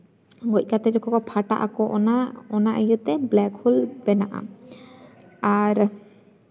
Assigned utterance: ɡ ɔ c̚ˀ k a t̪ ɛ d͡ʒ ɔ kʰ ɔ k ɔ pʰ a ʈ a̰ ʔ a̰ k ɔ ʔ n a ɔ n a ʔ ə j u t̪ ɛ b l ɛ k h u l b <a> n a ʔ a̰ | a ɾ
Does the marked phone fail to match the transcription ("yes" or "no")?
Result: yes